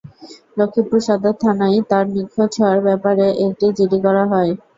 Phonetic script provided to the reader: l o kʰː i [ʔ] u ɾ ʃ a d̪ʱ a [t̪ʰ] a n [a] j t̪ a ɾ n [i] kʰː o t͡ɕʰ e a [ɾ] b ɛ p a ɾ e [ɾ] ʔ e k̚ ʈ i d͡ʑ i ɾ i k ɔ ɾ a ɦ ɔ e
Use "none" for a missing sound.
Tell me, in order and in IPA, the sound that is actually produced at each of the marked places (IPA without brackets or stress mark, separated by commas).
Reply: p, t̪ʰ, a, i, ɾ, none